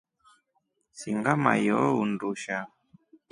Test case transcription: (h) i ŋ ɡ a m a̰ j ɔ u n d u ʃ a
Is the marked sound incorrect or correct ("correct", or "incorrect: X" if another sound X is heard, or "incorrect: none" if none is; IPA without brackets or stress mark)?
incorrect: s